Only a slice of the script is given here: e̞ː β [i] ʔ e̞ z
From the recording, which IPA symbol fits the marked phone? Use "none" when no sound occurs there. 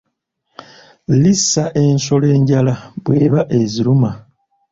a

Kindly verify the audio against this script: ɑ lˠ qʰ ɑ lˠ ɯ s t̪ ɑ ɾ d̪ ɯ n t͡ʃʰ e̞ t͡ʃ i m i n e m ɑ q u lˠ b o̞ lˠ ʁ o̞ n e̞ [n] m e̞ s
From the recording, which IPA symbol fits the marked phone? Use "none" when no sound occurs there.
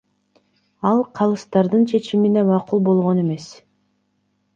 none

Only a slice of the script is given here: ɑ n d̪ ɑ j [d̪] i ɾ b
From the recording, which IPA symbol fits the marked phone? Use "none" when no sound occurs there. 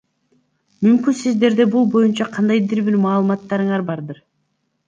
d̪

